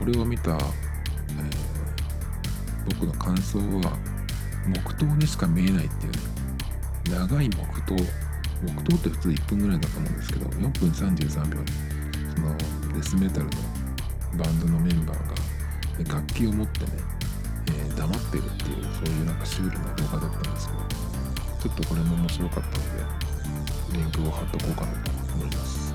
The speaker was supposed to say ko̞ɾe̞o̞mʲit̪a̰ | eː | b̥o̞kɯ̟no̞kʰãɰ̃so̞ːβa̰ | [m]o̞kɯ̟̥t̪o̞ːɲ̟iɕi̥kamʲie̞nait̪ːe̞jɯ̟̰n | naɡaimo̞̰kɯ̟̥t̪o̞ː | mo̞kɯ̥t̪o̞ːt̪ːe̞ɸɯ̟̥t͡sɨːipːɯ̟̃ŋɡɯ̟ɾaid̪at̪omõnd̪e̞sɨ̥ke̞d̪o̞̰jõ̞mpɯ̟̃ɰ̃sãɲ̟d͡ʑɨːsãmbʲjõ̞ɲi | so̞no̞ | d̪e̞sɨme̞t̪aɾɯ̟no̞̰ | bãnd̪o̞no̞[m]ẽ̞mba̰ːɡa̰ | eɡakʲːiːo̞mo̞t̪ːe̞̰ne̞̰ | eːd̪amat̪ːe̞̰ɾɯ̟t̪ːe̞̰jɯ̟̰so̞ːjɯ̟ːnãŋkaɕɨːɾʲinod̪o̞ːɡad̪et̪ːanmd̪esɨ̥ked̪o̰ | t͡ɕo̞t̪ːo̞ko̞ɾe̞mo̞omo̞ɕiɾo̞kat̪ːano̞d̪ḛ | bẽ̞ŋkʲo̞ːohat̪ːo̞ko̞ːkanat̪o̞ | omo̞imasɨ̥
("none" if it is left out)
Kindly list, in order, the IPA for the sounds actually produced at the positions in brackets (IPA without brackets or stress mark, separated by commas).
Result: m, m